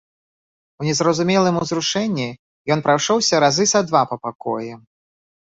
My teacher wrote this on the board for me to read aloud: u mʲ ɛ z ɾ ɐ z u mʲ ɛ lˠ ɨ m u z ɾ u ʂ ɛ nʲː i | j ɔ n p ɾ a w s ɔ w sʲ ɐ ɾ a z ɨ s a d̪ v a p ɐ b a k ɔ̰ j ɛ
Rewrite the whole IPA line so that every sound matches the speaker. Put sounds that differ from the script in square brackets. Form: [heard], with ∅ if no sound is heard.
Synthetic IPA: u [nʲ] ɛ z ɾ ɐ z u mʲ ɛ lˠ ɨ m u z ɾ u ʂ ɛ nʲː i | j ɔ n p ɾ a w [ʂ] ɔ w sʲ ɐ ɾ a z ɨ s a d̪ v a p ɐ [p] a k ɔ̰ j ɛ